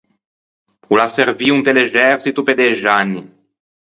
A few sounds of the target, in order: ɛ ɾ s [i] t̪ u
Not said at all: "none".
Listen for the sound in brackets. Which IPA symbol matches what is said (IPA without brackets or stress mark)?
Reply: i